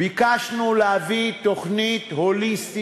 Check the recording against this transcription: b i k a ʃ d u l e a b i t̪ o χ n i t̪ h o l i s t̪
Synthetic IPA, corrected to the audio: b i k a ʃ n u l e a v i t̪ o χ n i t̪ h o l i s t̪